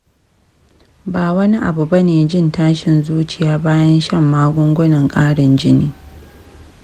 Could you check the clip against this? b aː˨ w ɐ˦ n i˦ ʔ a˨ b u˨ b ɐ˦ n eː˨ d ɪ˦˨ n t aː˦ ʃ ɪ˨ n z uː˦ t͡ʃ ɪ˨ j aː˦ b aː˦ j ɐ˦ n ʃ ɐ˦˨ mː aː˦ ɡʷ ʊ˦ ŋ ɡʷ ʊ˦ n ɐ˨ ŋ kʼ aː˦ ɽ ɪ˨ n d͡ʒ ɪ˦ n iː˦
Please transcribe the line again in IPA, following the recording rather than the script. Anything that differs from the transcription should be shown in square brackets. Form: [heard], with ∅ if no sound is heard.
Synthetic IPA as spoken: b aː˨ w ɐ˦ n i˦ ʔ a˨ b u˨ b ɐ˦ n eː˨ [d͡ʒ] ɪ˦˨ n t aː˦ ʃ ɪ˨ n z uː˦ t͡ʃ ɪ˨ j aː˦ b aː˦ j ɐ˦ n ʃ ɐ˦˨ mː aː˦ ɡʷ ʊ˦ ŋ ɡʷ ʊ˦ n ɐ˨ ŋ kʼ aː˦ ɽ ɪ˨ n d͡ʒ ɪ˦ n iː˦